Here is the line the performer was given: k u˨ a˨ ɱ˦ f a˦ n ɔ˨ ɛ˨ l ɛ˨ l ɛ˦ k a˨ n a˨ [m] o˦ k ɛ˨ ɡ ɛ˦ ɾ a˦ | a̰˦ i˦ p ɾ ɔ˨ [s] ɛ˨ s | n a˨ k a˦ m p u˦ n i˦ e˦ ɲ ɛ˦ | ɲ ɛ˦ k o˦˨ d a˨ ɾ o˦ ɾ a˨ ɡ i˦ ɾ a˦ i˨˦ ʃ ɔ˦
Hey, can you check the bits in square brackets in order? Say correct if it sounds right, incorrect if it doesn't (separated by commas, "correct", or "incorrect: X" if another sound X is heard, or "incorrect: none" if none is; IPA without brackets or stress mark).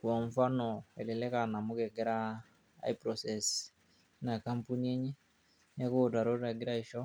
correct, correct